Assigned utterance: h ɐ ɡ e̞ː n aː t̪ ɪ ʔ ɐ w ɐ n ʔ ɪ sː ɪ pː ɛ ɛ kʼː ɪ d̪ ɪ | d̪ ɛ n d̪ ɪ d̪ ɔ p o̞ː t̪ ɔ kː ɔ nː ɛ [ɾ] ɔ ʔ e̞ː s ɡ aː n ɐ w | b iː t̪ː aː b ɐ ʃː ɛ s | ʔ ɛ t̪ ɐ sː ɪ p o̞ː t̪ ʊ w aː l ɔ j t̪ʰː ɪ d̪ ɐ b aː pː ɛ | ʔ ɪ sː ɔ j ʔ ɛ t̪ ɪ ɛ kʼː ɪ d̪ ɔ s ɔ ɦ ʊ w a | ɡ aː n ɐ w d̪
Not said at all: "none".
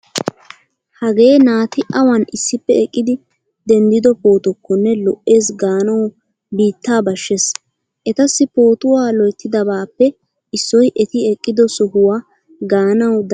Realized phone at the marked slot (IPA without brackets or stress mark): l